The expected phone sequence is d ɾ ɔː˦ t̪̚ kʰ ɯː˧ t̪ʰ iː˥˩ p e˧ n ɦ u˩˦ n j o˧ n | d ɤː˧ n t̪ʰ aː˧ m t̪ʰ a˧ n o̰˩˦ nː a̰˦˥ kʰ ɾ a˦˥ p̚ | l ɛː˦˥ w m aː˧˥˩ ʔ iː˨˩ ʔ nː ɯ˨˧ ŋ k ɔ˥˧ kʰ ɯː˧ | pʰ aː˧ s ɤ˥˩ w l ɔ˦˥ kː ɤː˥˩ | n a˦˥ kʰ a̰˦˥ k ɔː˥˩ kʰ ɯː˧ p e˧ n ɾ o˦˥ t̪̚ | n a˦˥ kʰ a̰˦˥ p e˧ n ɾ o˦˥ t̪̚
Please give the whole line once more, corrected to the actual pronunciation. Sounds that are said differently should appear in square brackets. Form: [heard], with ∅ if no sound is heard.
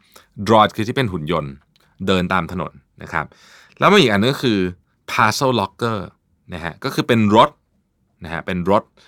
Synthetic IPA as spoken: d ɾ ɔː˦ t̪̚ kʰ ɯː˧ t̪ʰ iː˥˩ p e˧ n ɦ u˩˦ n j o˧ n | d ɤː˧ n [t̪] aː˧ m t̪ʰ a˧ n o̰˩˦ nː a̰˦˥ kʰ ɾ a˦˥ p̚ | l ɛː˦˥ w m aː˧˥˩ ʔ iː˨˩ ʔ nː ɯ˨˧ ŋ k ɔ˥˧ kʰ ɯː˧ | pʰ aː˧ s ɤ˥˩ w l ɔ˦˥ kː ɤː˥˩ | n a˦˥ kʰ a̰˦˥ k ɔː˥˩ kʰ ɯː˧ p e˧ n ɾ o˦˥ t̪̚ | n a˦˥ kʰ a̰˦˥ p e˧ n ɾ o˦˥ t̪̚